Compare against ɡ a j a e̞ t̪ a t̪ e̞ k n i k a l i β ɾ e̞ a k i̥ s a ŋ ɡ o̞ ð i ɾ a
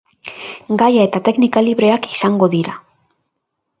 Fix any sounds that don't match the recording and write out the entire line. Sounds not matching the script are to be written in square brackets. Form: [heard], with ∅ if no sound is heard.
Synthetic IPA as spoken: ɡ a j a e̞ t̪ a t̪ e̞ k n i k a l i β ɾ e̞ a k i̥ s a ŋ ɡ o̞ ð i ɾ a

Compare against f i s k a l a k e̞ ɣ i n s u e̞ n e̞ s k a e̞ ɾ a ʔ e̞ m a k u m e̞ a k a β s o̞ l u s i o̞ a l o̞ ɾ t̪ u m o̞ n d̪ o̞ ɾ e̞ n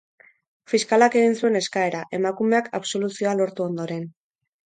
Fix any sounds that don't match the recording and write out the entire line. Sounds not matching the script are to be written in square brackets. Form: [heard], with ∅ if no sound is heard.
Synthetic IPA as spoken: f i s k a l a k e̞ ɣ i n s u e̞ n e̞ s k a e̞ ɾ a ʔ e̞ m a k u m e̞ a k a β s o̞ l u s i o̞ a l o̞ ɾ t̪ u [∅] o̞ n d̪ o̞ ɾ e̞ n

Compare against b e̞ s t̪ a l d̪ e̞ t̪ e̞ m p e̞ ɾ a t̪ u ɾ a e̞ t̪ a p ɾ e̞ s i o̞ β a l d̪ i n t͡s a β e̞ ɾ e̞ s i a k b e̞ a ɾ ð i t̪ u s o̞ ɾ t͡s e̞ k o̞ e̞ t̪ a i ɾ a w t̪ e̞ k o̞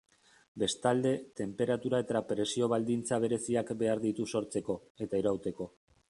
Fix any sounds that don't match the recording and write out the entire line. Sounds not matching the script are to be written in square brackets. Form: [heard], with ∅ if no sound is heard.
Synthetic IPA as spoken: b e̞ s t̪ a l d̪ e̞ t̪ e̞ m p e̞ ɾ a t̪ u ɾ a e̞ t̪ a p ɾ e̞ s i o̞ β a l d̪ i n t͡s a β e̞ ɾ e̞ s i a k b e̞ a ɾ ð i t̪ u s o̞ ɾ t͡s e̞ k o̞ e̞ t̪ a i ɾ a w t̪ e̞ k o̞

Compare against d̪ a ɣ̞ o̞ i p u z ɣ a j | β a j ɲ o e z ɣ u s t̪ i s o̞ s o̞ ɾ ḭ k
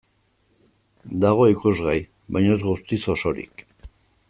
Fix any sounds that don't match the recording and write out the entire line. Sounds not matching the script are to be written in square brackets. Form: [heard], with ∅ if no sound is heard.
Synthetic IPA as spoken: d̪ a ɣ̞ o̞ i [k] u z ɣ a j | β a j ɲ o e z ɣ u s t̪ i s o̞ s o̞ ɾ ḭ k

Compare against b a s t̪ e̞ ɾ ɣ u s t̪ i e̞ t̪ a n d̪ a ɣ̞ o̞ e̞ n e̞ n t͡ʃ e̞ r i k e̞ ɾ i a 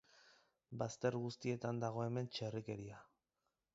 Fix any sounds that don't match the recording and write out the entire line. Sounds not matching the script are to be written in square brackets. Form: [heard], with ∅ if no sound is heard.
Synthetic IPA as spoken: b a s t̪ e̞ ɾ ɣ u s t̪ i e̞ t̪ a n d̪ a ɣ̞ o̞ e̞ [m] e̞ n t͡ʃ e̞ r i k e̞ ɾ i a

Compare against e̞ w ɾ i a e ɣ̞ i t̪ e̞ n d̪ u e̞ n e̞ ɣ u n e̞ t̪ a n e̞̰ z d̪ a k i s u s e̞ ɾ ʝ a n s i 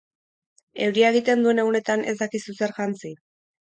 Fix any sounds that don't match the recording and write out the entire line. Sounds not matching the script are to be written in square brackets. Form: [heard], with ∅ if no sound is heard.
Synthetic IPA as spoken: e̞ w ɾ i a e ɣ̞ i t̪ e̞ n d̪ u e̞ n e̞ ɣ u n e̞ t̪ a n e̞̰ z d̪ a k i s u s e̞ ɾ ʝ a n [t͡s] i

